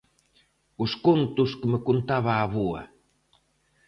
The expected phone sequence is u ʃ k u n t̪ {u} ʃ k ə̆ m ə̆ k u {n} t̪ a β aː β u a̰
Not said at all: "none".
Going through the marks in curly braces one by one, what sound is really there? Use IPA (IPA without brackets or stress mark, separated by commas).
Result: u, n